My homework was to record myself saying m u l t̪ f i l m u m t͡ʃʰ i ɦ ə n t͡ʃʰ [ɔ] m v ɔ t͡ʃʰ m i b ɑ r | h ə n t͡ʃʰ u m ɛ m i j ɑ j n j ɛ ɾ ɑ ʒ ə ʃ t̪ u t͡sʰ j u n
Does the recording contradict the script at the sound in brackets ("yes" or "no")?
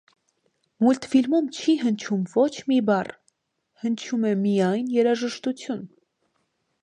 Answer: yes